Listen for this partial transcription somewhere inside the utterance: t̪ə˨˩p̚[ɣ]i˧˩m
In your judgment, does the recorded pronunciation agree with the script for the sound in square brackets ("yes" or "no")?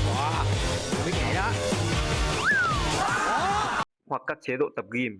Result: yes